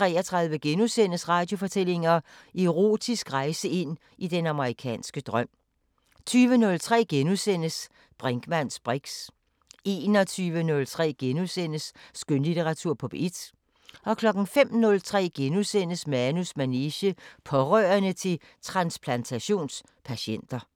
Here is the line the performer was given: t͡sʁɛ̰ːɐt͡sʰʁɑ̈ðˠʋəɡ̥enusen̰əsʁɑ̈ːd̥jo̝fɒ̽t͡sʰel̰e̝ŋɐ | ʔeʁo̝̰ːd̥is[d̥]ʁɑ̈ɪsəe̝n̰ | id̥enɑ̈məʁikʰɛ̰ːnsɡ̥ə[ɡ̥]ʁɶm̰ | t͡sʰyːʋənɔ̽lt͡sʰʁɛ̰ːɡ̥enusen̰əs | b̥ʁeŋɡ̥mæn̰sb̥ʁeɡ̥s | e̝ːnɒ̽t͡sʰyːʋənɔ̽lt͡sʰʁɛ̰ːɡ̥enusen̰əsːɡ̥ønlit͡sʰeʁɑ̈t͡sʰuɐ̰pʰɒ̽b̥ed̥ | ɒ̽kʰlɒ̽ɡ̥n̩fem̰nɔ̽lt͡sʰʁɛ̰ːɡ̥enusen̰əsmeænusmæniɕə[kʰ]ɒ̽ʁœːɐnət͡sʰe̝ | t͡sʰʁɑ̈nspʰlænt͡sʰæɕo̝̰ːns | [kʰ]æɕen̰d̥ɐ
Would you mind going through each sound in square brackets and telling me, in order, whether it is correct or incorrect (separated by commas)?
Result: incorrect, incorrect, incorrect, incorrect